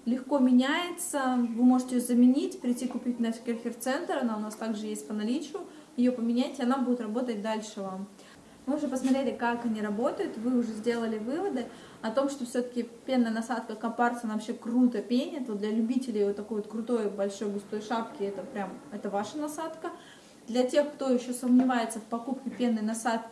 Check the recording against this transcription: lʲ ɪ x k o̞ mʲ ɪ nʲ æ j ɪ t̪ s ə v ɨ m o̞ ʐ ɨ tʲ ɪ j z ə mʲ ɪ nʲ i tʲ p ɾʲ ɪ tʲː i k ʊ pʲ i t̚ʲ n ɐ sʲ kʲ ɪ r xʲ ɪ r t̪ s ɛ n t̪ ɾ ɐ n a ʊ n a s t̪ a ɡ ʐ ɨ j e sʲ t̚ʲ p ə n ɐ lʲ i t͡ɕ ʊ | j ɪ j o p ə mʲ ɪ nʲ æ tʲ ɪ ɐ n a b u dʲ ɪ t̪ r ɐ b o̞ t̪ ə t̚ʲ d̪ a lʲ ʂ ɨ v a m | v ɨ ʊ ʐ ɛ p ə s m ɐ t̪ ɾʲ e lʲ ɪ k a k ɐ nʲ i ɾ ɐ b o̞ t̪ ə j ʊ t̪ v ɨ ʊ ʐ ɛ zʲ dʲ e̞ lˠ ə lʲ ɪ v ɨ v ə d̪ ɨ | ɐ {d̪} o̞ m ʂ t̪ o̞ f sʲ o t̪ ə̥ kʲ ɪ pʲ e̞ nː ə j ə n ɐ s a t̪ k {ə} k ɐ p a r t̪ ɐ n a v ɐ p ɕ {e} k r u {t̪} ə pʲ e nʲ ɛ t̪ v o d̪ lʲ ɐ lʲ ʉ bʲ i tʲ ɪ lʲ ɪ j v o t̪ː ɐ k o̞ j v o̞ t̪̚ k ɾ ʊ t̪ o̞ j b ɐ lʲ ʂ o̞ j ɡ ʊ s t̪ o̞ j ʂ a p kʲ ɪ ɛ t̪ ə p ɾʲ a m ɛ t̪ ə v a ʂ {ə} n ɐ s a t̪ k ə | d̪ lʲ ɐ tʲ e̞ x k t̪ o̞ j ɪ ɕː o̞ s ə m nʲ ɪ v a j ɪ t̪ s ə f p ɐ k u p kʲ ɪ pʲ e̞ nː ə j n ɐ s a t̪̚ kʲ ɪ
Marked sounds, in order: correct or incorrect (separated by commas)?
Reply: incorrect, correct, correct, correct, correct